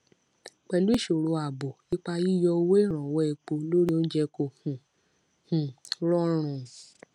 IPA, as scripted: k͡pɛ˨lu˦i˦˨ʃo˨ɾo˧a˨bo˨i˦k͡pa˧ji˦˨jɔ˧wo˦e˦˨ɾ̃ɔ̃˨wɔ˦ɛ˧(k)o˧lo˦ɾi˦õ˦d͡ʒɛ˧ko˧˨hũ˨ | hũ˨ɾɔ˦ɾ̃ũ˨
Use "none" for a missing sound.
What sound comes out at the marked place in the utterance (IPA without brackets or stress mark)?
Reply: k͡p